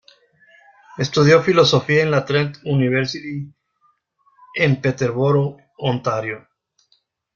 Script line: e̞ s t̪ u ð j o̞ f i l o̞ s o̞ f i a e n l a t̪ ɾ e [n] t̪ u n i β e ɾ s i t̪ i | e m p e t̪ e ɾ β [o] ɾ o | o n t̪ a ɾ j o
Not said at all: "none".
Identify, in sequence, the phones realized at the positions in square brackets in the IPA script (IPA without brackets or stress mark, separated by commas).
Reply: n, o